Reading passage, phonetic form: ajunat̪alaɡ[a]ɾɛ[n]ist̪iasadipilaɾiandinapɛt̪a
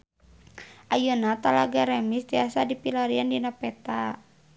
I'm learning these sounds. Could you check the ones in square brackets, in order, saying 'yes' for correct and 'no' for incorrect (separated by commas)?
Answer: yes, no